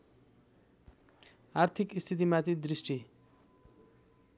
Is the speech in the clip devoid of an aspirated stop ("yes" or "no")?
no